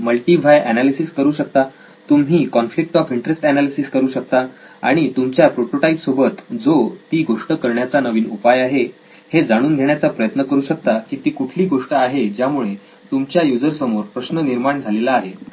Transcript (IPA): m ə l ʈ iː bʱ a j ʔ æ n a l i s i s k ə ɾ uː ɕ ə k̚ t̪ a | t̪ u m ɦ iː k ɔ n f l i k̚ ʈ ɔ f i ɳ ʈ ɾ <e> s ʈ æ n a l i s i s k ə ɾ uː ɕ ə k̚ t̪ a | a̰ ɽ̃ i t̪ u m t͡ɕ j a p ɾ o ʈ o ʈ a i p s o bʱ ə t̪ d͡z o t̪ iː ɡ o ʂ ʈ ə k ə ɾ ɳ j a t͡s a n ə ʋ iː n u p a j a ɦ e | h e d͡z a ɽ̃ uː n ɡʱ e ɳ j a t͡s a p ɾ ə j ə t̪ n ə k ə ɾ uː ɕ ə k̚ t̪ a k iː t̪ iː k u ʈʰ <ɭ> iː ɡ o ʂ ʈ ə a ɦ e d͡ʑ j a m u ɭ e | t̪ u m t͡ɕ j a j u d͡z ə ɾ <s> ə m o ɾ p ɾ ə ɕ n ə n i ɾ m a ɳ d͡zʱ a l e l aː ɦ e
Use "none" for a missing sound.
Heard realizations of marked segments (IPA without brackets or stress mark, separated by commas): e, l, s